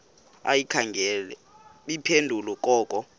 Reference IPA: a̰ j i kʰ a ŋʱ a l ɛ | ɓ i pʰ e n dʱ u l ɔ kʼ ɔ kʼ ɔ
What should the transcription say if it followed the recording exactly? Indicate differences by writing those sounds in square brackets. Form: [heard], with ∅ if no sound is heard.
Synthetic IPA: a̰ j i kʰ a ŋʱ [ɛ] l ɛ | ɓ i pʰ e n dʱ u l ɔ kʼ [ɔː] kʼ ɔ